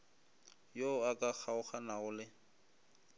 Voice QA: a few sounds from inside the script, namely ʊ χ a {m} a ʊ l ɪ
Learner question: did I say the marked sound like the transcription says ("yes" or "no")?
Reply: no